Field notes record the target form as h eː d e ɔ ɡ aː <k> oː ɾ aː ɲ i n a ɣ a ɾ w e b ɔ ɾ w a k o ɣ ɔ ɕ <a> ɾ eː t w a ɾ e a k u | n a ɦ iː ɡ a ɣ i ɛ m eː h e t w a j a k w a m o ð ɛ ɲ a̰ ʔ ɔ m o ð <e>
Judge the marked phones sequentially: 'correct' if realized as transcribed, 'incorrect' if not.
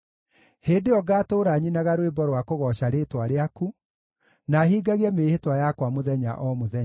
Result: incorrect, correct, incorrect

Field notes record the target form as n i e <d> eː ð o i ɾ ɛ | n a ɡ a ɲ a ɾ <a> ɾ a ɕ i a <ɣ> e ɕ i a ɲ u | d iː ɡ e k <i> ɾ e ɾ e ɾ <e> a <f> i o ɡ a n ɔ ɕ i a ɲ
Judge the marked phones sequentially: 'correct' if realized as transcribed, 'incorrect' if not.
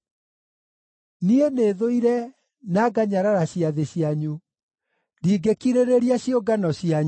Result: incorrect, correct, incorrect, correct, incorrect, incorrect

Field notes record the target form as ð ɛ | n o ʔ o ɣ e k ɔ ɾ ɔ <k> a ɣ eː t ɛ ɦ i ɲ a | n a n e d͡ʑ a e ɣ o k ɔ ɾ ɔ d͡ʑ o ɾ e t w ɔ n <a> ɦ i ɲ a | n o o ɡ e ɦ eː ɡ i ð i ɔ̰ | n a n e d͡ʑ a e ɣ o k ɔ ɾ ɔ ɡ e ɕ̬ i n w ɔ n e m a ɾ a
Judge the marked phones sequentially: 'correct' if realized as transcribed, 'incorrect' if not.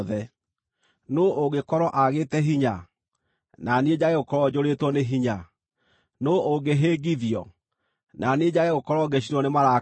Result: incorrect, incorrect

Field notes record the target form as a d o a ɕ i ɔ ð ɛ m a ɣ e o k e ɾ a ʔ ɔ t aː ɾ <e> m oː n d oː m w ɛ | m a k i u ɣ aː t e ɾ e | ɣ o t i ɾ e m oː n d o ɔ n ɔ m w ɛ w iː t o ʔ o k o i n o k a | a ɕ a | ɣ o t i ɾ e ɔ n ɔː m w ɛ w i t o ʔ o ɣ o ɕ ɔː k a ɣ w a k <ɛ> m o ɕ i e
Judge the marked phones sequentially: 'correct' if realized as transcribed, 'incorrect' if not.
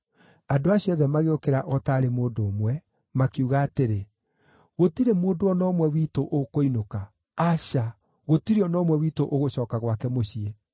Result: correct, correct

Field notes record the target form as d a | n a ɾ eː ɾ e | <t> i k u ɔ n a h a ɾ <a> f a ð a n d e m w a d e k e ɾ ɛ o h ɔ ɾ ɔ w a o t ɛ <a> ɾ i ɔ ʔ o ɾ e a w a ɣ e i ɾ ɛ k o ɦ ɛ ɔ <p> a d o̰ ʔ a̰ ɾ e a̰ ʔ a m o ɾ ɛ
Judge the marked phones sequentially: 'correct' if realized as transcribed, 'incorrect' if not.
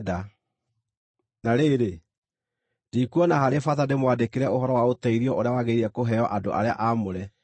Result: incorrect, incorrect, incorrect, incorrect

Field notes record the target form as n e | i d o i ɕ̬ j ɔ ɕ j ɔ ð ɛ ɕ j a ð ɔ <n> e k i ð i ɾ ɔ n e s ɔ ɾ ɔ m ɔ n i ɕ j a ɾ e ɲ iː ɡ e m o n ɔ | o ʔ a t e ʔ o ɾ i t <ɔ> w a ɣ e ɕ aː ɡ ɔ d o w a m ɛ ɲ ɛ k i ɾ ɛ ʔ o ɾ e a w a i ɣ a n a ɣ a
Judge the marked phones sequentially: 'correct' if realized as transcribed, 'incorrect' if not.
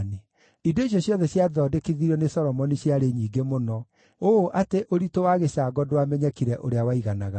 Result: incorrect, incorrect

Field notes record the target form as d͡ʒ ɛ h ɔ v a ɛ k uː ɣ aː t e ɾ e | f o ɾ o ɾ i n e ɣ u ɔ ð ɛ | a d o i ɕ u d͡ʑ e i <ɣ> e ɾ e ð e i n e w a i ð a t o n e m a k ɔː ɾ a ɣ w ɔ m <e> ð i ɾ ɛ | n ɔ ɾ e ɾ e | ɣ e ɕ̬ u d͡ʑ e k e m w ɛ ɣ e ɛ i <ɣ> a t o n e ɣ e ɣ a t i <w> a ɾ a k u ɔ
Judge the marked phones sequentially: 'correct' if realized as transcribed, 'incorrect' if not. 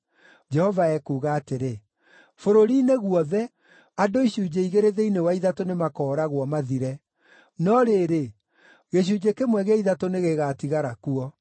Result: correct, incorrect, incorrect, incorrect

